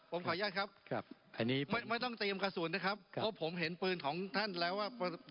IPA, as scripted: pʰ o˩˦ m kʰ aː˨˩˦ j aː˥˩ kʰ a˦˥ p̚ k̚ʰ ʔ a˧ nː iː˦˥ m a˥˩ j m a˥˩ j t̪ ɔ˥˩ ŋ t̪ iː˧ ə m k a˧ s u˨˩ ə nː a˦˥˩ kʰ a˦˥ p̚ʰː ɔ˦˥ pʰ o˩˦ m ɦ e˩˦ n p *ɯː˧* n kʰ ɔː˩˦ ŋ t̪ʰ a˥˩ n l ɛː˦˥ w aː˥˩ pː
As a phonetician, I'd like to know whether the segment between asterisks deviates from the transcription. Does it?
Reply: no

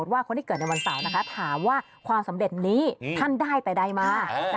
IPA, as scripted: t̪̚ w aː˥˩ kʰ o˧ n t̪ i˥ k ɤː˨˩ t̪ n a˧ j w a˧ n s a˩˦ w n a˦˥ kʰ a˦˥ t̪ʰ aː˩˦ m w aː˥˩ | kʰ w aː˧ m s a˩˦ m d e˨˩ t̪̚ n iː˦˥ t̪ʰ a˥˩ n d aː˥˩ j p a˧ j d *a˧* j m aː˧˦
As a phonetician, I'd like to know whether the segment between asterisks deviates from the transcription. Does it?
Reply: no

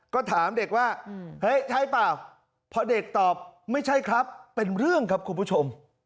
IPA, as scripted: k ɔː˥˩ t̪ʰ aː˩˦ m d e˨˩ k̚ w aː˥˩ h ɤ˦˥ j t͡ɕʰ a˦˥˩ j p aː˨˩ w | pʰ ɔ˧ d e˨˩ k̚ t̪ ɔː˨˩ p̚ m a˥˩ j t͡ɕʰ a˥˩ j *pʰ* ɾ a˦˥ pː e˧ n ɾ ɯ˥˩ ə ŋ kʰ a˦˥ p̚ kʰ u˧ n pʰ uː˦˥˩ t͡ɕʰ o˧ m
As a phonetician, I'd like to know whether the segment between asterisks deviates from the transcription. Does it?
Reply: yes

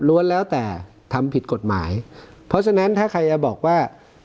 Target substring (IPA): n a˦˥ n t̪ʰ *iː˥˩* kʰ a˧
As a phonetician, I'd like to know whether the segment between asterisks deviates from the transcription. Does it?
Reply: yes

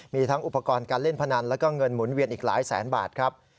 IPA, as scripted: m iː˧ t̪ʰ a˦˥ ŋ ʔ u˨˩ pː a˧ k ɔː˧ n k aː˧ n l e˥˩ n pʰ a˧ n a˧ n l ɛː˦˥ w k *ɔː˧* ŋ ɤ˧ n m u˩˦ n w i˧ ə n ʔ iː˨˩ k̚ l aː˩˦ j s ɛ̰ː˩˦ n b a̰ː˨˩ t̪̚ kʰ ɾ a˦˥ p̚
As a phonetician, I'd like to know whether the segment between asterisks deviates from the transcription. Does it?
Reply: yes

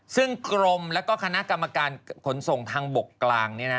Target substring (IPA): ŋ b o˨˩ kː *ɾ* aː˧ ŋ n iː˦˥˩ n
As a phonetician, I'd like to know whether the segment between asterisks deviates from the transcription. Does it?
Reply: yes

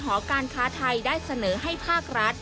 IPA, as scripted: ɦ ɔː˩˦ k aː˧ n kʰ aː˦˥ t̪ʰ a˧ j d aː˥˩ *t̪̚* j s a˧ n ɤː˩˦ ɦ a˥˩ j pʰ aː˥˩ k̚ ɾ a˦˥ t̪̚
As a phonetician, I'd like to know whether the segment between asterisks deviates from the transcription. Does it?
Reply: yes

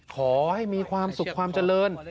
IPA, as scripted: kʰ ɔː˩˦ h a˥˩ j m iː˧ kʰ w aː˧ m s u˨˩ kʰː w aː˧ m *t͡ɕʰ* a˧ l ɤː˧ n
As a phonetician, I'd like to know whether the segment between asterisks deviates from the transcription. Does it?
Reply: yes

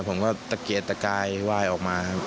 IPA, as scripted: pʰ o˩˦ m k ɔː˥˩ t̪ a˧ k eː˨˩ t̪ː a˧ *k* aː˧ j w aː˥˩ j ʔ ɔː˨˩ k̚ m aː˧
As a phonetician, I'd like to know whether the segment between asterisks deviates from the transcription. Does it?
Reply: no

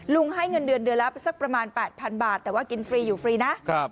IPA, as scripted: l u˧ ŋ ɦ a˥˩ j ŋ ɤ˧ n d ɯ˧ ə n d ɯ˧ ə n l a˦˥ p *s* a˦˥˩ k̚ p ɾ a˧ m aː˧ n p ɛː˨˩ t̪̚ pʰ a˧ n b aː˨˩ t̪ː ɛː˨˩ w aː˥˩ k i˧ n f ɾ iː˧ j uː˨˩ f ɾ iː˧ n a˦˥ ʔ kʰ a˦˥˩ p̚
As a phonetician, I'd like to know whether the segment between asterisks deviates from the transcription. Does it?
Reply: no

